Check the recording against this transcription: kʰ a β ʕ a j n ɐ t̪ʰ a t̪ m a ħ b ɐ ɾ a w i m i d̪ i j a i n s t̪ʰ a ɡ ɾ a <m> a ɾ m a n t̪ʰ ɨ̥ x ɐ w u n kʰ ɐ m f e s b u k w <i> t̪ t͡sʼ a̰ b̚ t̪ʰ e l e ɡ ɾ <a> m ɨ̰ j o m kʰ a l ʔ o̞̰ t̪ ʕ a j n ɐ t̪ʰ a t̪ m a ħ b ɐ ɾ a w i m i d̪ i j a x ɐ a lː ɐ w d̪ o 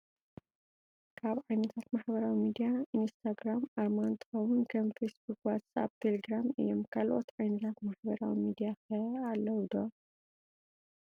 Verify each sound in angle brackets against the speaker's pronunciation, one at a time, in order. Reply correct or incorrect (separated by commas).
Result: correct, incorrect, correct